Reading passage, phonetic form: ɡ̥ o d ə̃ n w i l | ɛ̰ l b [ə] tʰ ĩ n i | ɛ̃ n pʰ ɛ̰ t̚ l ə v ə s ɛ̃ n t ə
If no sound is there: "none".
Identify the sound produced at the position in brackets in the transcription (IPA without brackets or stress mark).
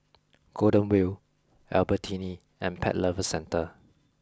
ə